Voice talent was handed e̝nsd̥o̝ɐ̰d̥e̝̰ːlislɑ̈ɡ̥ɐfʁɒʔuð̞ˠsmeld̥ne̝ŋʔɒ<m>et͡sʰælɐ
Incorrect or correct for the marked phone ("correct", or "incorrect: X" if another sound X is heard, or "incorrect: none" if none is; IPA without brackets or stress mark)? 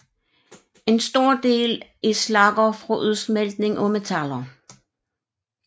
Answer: correct